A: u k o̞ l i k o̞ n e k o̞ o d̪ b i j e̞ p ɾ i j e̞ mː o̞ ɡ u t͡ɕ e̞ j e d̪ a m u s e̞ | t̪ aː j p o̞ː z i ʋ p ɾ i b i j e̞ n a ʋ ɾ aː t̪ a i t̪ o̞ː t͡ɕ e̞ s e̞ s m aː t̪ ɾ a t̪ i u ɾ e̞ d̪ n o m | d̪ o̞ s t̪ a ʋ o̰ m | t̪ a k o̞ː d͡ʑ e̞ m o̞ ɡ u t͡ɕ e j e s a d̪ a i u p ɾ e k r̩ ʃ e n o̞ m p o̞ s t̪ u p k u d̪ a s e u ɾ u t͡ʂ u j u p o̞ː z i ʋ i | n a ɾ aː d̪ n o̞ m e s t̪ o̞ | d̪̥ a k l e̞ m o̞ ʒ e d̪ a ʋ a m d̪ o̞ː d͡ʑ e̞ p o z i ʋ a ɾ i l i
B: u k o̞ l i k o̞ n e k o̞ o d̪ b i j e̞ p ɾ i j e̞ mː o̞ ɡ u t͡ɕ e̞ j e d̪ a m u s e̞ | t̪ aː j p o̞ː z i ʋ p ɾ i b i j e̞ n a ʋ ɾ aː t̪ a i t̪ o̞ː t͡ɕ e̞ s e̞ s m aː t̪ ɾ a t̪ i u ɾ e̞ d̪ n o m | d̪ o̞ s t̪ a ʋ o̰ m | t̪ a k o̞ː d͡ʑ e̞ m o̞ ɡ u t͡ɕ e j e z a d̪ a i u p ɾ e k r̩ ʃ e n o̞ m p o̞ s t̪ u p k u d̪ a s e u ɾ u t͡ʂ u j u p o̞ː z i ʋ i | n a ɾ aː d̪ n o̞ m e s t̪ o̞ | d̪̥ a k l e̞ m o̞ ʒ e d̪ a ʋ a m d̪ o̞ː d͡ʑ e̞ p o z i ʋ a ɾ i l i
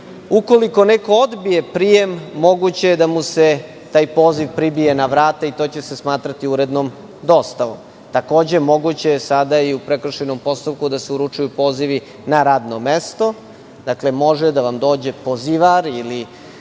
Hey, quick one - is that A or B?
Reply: A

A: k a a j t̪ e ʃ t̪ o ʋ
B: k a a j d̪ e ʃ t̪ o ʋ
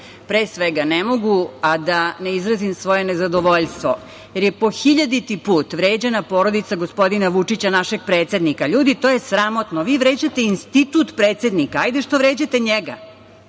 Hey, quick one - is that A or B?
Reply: B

